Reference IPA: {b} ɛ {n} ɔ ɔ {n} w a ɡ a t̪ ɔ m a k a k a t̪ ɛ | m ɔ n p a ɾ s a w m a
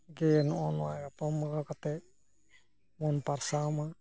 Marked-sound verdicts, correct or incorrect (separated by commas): incorrect, correct, correct